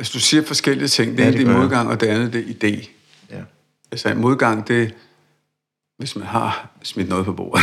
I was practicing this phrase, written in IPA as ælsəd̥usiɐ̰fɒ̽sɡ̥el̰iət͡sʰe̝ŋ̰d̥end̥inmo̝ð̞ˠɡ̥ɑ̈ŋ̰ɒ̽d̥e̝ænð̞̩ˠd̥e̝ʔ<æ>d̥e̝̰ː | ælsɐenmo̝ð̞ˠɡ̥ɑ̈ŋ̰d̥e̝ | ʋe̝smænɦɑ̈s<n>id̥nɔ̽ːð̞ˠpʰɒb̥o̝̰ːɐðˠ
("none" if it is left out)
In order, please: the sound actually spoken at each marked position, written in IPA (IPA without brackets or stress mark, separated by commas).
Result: i, m